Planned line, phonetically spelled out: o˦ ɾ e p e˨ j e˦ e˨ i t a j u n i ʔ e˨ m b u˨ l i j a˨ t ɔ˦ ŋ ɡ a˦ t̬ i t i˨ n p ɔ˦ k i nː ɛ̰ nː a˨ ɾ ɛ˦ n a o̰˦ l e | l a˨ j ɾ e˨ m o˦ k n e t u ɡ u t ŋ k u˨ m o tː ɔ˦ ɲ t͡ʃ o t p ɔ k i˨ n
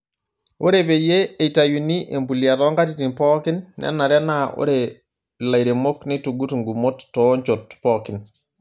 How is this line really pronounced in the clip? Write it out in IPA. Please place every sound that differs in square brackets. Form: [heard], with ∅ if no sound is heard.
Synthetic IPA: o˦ ɾ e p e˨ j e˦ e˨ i t a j u n i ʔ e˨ m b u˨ l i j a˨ t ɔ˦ ŋ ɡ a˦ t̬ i t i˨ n p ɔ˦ k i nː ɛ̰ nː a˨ ɾ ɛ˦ n a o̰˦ [ɾ] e | l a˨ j ɾ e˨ m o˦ k n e t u ɡ u t ŋ [ɡ] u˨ m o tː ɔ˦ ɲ t͡ʃ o t p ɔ k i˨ n